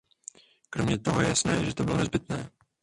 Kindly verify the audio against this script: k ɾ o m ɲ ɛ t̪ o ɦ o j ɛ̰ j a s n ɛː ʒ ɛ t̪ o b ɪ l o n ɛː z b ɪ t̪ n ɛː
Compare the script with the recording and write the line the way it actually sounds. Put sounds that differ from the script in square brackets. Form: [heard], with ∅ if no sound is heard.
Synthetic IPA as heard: k ɾ o m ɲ ɛ t̪ o ɦ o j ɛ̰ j a s n ɛː ʒ ɛ t̪ o b ɪ l o n [ɛ] z b ɪ t̪ n ɛː